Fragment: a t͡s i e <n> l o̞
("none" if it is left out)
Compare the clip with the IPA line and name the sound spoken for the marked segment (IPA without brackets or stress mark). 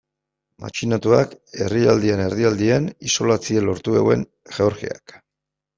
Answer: none